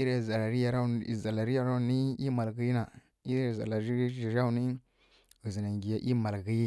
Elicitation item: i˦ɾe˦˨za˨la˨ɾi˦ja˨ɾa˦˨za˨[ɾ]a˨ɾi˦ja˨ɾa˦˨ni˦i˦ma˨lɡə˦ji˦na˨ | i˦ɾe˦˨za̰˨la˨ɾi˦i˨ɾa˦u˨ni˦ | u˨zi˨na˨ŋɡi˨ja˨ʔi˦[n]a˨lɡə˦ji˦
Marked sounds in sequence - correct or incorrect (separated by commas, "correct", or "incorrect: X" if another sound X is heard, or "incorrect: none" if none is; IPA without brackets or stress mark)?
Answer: incorrect: l, incorrect: m